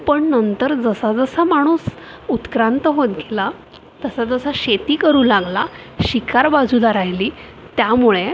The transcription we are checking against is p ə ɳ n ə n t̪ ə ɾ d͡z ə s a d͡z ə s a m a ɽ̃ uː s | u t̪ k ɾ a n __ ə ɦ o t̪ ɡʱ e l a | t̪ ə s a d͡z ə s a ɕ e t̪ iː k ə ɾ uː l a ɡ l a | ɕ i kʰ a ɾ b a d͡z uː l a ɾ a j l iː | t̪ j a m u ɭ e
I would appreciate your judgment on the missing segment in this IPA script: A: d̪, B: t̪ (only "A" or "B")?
B